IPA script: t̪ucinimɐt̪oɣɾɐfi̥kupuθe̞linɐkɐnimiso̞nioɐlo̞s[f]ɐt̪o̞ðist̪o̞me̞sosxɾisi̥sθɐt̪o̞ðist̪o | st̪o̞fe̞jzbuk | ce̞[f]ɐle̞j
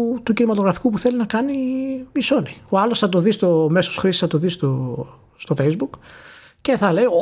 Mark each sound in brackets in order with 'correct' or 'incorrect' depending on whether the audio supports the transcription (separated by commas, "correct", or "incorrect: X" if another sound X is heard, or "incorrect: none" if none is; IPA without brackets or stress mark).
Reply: incorrect: θ, incorrect: θ